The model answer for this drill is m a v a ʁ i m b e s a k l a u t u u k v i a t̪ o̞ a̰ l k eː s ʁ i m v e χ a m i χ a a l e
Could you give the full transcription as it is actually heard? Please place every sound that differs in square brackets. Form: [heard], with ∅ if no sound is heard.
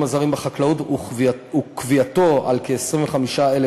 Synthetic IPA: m a [z] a ʁ i m b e [χ] a k l a u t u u k v i a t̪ o̞ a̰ l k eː s ʁ i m v e χ a m i [ʃ] a [e] l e